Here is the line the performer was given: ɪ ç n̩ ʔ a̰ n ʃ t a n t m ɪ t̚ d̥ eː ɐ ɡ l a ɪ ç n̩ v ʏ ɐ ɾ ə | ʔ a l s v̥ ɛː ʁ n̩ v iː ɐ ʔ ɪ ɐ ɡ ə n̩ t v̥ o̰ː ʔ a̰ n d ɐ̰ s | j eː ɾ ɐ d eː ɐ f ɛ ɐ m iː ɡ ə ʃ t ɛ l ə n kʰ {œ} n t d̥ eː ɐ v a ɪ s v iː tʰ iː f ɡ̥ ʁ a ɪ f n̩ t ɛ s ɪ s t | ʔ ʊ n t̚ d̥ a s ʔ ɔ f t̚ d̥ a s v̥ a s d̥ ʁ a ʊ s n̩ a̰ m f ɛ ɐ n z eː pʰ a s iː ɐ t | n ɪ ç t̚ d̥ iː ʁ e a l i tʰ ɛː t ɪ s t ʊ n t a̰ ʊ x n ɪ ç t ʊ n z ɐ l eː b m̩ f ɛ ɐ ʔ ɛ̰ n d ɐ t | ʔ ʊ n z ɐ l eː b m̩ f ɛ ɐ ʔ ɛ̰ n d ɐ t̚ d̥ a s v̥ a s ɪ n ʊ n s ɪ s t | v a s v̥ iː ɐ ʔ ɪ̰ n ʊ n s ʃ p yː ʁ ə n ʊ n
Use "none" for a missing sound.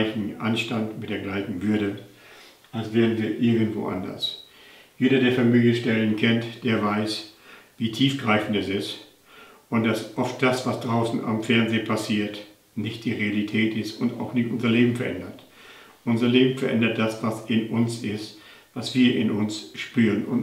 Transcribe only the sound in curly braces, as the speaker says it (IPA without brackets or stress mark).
ɛ